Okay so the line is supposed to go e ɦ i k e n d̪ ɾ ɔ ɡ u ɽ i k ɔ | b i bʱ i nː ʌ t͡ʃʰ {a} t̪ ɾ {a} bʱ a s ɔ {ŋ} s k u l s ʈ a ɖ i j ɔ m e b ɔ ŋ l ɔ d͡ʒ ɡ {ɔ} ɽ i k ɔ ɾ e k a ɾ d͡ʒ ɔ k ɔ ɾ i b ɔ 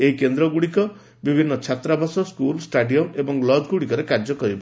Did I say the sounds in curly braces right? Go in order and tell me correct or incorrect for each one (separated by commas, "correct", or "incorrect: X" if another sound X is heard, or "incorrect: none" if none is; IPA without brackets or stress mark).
correct, correct, incorrect: none, incorrect: u